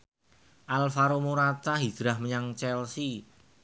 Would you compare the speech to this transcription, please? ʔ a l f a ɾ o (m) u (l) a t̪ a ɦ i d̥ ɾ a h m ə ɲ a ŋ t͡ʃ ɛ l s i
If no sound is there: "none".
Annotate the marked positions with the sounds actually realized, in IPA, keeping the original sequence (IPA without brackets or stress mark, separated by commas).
m, ɾ